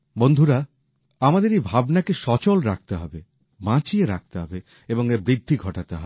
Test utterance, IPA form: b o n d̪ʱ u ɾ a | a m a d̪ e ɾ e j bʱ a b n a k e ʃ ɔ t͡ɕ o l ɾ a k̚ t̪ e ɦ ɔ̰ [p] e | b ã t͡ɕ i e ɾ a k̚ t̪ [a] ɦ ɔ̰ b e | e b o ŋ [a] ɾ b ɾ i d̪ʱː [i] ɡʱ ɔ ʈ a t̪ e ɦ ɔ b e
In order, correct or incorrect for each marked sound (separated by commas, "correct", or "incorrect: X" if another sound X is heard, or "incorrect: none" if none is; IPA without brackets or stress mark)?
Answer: incorrect: b, incorrect: e, incorrect: e, correct